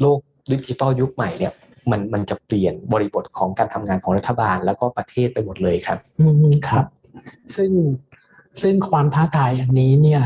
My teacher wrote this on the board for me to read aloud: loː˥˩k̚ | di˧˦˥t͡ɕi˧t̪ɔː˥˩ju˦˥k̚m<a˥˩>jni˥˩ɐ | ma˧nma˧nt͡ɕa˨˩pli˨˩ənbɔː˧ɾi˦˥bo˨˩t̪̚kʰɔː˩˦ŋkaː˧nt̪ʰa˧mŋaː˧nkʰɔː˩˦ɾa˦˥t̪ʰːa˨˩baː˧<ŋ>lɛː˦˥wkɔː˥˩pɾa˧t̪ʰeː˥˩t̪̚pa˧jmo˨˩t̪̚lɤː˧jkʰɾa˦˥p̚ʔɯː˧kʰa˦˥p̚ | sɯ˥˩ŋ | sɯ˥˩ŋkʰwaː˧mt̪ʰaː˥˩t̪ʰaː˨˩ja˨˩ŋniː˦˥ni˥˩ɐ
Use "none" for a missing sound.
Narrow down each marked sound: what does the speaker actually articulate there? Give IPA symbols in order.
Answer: a˨˩, n

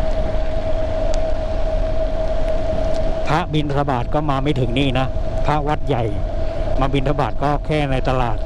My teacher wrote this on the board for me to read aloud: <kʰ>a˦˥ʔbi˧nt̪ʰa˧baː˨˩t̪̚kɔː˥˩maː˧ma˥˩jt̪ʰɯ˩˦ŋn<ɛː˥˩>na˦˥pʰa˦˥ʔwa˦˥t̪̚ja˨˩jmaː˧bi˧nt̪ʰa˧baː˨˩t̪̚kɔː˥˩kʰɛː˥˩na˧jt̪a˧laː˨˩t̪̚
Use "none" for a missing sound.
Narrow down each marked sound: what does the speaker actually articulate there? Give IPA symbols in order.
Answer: pʰ, iː˥˩

